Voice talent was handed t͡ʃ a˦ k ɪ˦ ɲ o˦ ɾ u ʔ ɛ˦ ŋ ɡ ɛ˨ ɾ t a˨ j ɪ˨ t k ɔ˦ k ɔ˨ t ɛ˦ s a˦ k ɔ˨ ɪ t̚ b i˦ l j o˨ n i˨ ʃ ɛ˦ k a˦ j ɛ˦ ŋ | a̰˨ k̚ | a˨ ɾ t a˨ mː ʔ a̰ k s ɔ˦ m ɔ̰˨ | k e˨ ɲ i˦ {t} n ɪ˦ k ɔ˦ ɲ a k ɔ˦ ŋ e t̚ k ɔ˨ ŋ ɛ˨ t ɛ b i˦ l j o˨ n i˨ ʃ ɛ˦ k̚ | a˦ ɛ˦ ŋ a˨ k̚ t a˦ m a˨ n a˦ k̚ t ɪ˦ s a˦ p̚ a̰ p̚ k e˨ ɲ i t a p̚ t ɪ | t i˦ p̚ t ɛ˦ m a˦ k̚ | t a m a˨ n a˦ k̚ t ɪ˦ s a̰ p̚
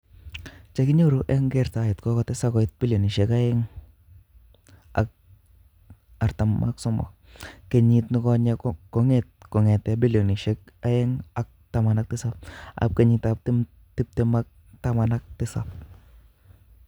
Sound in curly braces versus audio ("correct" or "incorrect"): correct